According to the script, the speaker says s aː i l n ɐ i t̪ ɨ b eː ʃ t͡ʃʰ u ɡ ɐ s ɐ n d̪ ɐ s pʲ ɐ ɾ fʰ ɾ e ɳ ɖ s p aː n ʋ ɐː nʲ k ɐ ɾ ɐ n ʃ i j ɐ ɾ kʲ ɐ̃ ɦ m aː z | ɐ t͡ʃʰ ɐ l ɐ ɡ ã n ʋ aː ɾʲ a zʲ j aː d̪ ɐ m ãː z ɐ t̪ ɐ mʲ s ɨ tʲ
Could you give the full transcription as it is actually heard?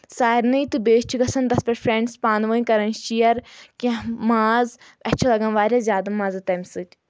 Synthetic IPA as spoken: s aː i ɾ n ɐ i t̪ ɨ b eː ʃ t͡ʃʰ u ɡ ɐ s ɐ n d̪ ɐ s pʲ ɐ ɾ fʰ ɾ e ɳ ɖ s p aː n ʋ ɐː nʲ k ɐ ɾ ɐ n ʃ i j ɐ ɾ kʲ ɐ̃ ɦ m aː z | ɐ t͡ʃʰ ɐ l ɐ ɡ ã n ʋ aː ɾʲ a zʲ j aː d̪ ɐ m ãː z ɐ t̪ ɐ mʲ s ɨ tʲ